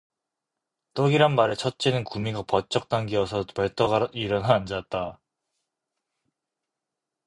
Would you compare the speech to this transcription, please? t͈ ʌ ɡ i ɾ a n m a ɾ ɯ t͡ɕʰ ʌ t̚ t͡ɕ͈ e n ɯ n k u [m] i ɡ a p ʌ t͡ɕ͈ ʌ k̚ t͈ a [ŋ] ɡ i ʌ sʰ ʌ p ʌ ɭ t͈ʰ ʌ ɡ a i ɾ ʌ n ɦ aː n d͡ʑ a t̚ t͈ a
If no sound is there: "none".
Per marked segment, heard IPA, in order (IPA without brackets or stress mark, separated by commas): m, ŋ